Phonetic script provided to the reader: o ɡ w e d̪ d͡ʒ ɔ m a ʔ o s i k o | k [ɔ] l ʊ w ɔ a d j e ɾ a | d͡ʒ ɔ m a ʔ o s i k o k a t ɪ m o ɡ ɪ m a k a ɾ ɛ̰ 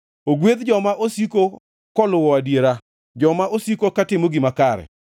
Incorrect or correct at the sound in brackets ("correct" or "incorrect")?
correct